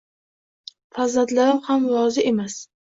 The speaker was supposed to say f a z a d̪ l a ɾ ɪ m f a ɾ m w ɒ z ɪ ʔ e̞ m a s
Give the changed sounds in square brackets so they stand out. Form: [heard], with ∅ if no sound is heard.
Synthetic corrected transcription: f a z a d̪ l a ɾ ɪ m [h] a [∅] m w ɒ z ɪ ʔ e̞ m a s